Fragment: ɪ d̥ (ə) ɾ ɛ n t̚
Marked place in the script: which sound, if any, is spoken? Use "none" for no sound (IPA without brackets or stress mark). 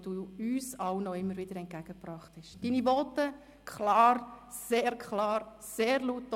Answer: ə